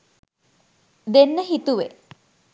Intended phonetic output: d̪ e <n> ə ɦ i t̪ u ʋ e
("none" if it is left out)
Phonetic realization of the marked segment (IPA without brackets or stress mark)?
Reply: nː